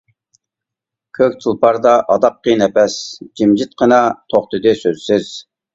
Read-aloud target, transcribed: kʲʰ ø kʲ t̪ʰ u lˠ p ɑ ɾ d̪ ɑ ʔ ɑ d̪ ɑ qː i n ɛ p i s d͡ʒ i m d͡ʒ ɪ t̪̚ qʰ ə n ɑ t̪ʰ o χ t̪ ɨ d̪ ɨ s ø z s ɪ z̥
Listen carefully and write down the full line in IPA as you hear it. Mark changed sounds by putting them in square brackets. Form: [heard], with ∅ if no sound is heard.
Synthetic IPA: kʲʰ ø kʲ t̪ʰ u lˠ p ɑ ɾ d̪ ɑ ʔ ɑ d̪ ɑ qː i n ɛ p [ɛ] s d͡ʒ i m d͡ʒ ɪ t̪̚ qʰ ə n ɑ t̪ʰ o χ t̪ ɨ d̪ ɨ s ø z s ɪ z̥